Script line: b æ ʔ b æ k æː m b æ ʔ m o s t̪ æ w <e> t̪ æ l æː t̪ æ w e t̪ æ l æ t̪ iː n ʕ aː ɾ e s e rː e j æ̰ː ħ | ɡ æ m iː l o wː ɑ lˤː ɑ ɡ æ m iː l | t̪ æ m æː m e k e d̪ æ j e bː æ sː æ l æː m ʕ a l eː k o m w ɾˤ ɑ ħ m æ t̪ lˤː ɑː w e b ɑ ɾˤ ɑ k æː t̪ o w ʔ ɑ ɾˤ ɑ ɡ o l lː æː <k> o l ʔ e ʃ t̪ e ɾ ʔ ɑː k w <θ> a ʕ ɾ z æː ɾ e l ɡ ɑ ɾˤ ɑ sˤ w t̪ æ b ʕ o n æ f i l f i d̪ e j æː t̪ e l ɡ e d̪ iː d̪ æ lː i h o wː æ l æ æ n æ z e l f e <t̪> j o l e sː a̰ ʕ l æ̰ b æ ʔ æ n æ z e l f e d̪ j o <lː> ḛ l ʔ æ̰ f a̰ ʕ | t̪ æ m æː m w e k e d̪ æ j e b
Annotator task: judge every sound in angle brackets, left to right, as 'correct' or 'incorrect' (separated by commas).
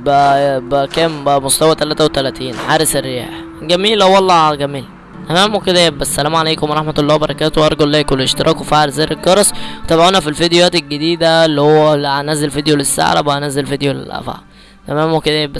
incorrect, correct, incorrect, incorrect, incorrect